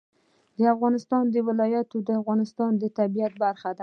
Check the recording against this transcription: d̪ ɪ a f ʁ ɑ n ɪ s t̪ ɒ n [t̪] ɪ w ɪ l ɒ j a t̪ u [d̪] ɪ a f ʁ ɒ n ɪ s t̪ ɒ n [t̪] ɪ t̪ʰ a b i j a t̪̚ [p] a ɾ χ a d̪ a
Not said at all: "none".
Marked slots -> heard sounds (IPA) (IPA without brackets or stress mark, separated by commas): d̪, d̪, d̪, b